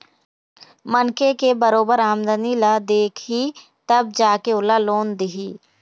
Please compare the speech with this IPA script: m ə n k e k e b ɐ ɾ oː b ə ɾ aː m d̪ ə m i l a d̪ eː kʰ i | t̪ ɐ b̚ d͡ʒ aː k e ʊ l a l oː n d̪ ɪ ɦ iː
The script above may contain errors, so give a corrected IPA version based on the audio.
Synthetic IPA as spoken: m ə n k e k e b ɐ ɾ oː b ə ɾ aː m d̪ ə n i l a d̪ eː kʰ i | t̪ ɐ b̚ d͡ʒ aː k e ʊ l a l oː n d̪ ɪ ɦ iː